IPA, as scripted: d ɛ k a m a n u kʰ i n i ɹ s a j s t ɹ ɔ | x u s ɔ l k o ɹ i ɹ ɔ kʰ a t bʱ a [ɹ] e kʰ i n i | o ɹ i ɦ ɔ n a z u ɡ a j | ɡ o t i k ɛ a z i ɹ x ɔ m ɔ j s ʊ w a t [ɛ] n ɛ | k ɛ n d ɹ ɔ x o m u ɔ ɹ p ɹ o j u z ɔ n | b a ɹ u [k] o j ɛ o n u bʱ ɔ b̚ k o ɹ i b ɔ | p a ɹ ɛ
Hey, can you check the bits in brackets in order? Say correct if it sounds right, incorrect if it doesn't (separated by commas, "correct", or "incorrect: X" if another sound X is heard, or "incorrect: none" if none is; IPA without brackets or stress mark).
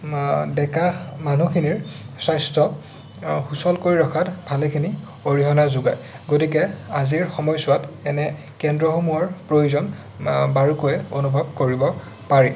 incorrect: l, correct, correct